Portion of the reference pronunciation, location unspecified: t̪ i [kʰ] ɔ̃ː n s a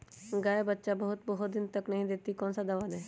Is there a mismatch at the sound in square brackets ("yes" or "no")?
yes